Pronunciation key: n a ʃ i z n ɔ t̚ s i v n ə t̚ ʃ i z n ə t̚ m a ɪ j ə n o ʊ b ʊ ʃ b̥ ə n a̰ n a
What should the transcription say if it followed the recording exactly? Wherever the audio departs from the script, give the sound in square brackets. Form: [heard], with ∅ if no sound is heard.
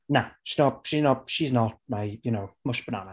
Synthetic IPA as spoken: n a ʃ i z n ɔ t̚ [ʃ] i [z] n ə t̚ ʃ i z n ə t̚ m a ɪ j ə n o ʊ [m] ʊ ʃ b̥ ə n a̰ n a